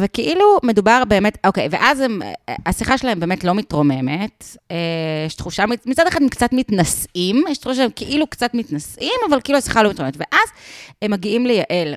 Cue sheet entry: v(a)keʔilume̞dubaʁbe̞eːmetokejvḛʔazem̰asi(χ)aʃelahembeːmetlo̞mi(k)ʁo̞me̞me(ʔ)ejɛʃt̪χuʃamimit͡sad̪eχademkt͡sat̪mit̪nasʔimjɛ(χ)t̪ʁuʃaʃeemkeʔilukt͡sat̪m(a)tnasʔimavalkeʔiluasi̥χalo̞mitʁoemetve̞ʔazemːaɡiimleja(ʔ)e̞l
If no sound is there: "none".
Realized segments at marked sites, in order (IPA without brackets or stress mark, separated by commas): e, χ, t, t, ʃ, i, ʔ